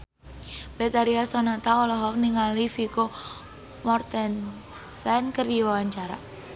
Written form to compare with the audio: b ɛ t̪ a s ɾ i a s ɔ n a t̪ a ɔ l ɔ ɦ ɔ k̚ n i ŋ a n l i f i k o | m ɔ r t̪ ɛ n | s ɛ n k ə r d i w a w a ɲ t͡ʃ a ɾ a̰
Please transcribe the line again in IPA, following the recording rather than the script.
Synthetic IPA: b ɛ t̪ a ɾ i a s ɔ n a t̪ a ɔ l ɔ ɦ ɔ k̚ n i ŋ a l i f i k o | m ɔ r t̪ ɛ n | s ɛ n k ə r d i w a w a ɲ t͡ʃ a ɾ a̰